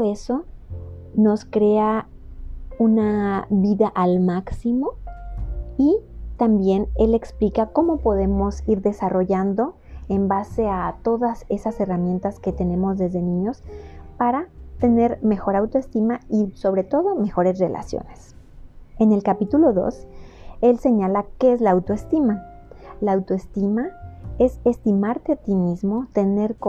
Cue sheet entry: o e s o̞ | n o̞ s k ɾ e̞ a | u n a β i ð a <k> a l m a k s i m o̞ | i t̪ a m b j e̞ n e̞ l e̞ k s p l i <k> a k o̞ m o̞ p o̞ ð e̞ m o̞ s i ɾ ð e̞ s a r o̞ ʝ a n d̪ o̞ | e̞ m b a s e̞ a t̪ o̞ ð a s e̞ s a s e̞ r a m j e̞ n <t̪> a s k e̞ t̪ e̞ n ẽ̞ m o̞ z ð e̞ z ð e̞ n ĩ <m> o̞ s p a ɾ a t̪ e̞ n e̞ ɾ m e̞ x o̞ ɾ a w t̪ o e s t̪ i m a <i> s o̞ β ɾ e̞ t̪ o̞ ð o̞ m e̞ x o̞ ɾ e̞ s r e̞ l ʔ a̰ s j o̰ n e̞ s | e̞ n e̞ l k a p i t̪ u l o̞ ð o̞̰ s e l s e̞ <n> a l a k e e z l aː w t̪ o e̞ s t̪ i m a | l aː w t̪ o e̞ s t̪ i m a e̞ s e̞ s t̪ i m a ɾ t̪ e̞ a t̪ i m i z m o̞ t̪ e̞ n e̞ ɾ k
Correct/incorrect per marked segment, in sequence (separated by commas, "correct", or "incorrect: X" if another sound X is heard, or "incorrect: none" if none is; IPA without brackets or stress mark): incorrect: ʔ, correct, correct, incorrect: ɲ, correct, incorrect: ɲ